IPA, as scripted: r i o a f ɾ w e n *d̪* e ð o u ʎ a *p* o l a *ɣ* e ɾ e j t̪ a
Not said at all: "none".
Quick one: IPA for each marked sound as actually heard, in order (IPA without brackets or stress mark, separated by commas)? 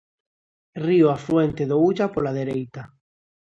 t̪, p, ð